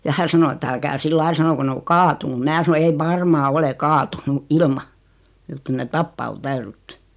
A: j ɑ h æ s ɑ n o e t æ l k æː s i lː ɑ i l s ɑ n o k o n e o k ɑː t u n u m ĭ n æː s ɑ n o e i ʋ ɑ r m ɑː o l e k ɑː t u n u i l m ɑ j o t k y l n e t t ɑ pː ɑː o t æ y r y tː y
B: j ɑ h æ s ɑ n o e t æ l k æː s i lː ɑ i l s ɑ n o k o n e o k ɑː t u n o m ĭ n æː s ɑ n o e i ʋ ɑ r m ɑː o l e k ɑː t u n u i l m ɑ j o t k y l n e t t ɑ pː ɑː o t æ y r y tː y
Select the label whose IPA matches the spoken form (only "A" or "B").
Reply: A